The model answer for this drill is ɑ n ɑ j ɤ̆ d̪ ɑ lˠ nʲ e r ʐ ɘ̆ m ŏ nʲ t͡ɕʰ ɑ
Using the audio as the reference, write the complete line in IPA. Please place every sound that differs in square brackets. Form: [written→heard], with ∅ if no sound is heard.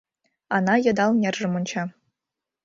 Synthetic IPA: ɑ n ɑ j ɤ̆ d̪ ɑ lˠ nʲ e r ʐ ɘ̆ m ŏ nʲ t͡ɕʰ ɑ